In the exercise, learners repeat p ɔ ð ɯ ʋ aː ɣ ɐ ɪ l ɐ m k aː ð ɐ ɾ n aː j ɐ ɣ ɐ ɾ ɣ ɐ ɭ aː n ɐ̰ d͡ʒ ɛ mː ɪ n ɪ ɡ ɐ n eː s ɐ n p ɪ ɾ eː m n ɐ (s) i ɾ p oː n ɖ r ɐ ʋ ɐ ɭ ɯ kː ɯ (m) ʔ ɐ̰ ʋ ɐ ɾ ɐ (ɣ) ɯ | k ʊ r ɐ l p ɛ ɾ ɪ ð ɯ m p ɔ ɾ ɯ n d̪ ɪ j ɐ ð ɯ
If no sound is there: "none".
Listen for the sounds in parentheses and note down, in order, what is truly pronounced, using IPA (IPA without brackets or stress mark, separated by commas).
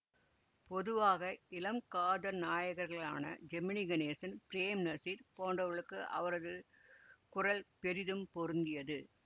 s, none, ð